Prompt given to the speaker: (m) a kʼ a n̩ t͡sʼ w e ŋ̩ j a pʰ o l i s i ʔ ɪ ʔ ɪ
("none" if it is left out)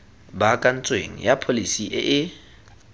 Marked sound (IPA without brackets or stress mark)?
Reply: b